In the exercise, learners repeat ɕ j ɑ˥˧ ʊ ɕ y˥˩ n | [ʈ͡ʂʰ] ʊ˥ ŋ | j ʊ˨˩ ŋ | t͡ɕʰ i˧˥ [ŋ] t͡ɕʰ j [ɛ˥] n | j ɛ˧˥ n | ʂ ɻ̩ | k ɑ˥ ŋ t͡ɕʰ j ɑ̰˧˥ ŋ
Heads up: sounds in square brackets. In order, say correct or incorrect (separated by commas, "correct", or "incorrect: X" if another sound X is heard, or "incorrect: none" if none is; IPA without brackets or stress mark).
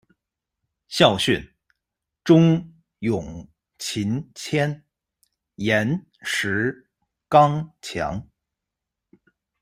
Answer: incorrect: ʈ͡ʂ, incorrect: n, correct